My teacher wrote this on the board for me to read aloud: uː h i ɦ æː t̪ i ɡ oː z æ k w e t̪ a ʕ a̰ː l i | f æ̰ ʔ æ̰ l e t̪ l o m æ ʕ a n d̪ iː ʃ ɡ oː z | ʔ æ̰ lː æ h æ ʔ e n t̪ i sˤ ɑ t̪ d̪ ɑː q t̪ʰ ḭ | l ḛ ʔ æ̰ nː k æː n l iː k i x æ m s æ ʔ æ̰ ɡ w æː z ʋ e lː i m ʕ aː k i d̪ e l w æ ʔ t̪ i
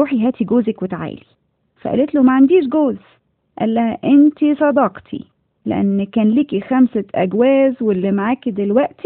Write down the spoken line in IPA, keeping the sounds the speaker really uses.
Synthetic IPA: uː ħ i ɦ æː t̪ i ɡ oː z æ k w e t̪ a ʕ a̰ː l i | f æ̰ ʔ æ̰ l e t̪ l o m æ ʕ a n d̪ iː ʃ ɡ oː z | ʔ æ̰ lː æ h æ ʔ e n t̪ i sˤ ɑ d̪ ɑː q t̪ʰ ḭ | l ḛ ʔ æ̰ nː k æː n l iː k i x æ m s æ ʔ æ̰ ɡ w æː z w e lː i m ʕ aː k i d̪ e l w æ ʔ t̪ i